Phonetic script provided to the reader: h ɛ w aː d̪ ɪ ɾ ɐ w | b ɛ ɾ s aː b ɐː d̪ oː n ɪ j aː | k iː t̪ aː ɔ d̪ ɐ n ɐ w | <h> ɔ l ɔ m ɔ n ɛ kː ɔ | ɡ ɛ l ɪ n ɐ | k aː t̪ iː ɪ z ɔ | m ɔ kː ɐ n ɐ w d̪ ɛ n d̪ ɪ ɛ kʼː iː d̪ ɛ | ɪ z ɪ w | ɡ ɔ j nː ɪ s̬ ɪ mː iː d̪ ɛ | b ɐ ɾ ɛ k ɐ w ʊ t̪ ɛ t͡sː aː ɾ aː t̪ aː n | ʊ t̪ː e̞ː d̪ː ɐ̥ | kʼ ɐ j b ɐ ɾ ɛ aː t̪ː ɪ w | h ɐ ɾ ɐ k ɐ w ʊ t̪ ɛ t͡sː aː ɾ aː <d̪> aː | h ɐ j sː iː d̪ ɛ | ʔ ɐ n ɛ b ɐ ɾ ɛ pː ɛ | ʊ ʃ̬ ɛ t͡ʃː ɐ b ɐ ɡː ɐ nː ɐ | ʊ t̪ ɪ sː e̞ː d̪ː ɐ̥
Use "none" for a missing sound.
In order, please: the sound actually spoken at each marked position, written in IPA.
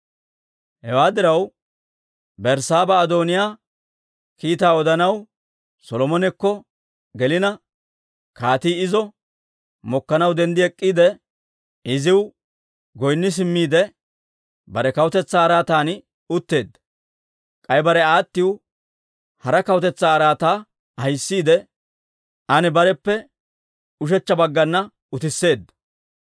s, t̪

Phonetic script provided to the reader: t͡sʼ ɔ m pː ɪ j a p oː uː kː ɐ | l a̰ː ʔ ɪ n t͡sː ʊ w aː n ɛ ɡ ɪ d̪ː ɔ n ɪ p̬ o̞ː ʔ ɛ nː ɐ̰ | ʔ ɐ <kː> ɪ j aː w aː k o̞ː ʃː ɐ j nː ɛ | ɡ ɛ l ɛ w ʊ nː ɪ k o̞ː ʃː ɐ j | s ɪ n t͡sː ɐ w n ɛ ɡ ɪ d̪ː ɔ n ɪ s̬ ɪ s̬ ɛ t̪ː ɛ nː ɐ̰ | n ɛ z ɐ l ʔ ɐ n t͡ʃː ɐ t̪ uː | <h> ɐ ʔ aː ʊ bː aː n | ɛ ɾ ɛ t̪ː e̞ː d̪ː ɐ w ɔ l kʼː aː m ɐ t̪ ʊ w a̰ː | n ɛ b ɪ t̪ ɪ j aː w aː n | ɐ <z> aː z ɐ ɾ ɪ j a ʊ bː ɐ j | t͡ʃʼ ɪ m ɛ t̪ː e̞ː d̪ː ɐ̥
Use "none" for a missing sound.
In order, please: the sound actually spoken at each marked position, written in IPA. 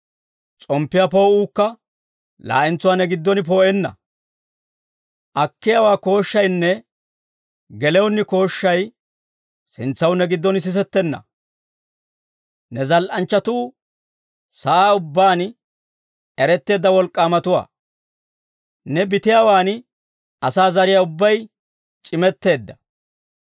kː, s, s

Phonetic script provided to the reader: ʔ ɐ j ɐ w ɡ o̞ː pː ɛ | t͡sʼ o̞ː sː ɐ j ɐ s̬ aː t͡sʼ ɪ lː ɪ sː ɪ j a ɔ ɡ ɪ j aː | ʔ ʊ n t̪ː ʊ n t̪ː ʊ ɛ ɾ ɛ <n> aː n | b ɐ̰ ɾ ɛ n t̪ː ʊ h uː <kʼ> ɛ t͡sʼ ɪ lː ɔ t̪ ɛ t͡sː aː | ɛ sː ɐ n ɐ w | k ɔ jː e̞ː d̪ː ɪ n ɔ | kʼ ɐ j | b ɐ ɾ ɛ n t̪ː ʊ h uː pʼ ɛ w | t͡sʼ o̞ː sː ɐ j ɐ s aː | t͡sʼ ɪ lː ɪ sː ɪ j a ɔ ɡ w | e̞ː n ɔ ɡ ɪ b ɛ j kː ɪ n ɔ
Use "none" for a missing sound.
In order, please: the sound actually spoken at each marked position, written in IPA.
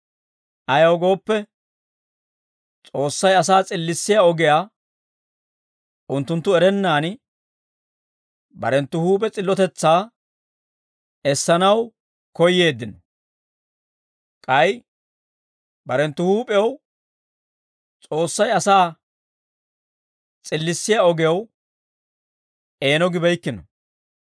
nː, pʼ

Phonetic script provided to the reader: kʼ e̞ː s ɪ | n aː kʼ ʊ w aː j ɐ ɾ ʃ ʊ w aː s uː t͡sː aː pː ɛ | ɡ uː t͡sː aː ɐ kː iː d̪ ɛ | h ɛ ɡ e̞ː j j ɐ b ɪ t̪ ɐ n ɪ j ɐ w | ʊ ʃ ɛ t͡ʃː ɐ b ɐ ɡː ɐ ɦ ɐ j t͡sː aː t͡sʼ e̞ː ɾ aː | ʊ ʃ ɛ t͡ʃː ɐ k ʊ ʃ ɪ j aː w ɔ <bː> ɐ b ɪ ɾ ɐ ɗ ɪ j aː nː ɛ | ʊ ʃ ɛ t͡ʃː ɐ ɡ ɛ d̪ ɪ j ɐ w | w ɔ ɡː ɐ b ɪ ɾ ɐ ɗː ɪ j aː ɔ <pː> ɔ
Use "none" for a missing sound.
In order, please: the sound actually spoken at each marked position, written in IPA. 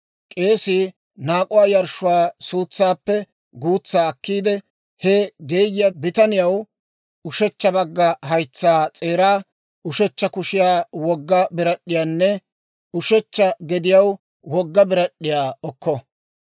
ɡː, kː

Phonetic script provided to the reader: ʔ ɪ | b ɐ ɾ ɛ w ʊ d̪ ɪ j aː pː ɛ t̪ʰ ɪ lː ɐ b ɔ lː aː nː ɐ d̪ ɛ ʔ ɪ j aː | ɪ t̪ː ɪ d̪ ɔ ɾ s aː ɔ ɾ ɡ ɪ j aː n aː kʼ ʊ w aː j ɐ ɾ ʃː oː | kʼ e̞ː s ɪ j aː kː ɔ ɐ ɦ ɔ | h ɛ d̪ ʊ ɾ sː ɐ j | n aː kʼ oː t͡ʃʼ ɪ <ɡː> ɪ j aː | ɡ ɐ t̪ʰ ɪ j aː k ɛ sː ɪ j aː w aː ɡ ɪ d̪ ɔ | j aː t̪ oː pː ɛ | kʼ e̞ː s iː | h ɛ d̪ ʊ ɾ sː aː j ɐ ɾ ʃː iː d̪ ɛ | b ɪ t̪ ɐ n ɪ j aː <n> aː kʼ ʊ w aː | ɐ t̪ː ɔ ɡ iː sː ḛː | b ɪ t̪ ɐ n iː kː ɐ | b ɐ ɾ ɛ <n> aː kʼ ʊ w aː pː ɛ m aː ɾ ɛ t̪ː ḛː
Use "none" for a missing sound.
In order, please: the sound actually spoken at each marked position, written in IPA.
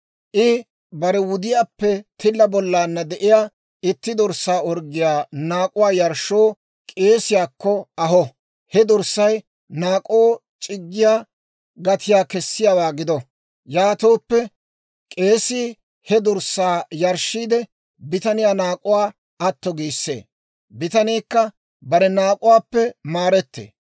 ɡː, n, n

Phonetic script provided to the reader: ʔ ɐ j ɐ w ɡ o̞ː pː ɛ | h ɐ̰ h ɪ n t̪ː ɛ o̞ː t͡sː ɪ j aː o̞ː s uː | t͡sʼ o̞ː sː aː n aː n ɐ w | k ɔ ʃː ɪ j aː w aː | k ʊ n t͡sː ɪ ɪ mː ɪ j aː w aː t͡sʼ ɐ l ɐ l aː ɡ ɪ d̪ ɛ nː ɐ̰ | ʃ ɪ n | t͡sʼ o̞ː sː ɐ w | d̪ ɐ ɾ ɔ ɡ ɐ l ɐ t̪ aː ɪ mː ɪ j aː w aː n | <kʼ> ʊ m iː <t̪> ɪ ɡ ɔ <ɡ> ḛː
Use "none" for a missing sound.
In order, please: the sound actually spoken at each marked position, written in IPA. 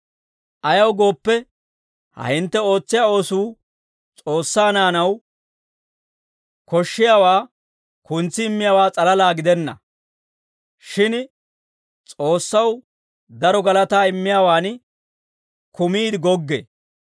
k, d̪, ɡː

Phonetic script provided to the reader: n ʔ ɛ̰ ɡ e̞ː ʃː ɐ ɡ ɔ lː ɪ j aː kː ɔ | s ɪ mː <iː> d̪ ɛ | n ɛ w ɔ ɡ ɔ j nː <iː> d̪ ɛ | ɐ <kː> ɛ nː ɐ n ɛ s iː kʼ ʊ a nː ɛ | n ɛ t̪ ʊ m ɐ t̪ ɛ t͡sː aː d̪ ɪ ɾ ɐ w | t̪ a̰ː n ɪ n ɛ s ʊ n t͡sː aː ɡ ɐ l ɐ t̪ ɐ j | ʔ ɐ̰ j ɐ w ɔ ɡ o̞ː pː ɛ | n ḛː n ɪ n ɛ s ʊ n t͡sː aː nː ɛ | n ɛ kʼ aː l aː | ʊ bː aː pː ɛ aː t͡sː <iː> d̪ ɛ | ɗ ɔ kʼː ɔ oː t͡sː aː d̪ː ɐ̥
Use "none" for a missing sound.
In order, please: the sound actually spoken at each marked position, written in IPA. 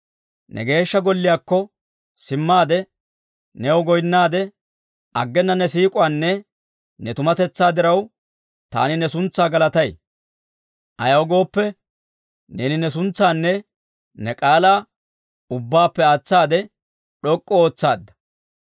aː, aː, ɡː, aː

